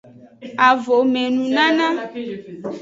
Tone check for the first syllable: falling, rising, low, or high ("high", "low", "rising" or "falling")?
low